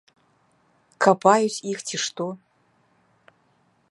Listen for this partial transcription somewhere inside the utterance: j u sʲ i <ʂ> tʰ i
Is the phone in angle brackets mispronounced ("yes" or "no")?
yes